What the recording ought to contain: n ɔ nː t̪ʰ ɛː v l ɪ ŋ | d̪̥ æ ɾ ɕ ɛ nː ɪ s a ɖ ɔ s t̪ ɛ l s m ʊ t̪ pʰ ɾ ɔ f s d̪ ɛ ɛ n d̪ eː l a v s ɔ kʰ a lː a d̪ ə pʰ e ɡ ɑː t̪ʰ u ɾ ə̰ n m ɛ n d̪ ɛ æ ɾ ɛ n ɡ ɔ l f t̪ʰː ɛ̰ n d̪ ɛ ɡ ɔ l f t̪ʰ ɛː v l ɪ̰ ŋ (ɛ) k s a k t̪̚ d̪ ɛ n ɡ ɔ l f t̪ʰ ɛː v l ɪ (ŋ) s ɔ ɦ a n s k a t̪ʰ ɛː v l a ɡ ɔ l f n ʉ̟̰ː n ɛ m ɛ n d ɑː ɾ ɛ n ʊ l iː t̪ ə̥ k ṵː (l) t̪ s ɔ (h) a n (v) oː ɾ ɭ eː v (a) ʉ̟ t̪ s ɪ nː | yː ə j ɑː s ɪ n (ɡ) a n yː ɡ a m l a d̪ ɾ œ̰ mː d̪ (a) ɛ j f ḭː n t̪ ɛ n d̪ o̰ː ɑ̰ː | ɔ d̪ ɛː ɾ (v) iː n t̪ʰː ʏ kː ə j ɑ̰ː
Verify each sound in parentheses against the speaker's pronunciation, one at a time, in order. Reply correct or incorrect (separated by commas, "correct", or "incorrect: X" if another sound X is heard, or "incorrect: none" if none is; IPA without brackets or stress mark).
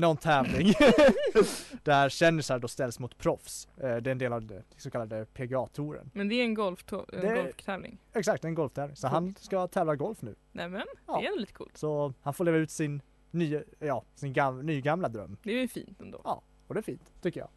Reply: correct, correct, correct, correct, incorrect: f, correct, correct, incorrect: ɛ, incorrect: f